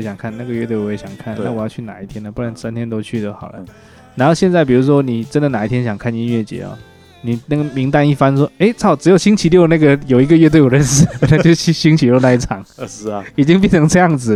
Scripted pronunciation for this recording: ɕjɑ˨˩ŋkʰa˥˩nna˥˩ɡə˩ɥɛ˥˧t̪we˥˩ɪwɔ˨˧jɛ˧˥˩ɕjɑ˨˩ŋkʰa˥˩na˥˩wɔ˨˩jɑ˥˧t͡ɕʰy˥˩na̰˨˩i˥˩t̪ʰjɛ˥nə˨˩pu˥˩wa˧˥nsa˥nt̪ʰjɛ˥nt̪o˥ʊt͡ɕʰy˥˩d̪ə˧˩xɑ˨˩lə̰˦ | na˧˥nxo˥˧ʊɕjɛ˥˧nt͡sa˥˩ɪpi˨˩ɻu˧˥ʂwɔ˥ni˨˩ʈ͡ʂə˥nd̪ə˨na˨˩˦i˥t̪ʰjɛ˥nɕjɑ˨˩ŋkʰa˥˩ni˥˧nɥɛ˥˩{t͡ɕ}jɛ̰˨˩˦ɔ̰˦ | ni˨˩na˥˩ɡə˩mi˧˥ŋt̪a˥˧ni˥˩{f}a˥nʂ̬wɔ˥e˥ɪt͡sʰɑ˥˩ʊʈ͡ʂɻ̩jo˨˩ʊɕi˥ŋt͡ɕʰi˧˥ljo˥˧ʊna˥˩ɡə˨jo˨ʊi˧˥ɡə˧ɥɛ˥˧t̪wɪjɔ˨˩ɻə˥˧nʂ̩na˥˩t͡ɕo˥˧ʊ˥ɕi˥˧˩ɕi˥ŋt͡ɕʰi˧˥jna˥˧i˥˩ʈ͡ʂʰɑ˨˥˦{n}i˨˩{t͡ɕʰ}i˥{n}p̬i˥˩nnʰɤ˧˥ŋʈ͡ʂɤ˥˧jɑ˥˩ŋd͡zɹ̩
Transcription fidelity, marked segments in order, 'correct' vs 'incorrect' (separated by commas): correct, correct, incorrect, incorrect, incorrect